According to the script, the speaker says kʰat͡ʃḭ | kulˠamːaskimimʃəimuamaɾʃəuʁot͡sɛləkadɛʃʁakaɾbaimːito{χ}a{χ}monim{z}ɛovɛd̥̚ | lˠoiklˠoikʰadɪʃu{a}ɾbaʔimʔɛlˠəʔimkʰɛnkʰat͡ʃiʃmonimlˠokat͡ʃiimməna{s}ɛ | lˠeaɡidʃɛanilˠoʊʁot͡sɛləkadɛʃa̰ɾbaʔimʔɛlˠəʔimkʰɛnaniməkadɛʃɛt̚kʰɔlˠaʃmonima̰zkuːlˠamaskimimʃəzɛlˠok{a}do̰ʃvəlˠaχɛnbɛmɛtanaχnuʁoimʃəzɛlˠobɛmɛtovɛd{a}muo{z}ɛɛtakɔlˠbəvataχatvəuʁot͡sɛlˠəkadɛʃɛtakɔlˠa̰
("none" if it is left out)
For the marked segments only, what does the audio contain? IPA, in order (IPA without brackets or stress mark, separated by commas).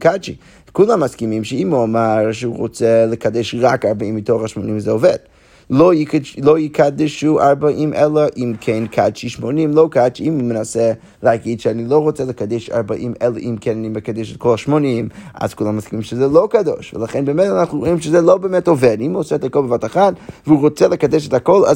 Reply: χ, ʃ, z, a, s, a, i, s